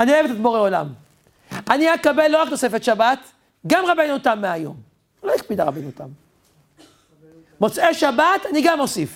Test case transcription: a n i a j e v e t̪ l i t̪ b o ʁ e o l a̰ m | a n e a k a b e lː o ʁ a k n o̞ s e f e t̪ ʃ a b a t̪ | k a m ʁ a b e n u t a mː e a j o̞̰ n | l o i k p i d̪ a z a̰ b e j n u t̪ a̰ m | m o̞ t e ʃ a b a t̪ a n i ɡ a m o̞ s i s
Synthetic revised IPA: a n i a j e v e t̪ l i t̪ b o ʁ e o l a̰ m | a n i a k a b e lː o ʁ a k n o̞ s e f e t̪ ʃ a b a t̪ | ɡ a m ʁ a b e n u t a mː e a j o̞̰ m | l o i k p i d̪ a ʁ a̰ b e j n u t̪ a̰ m | m o̞ t͡s e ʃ a b a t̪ a n i ɡ a m o̞ s i f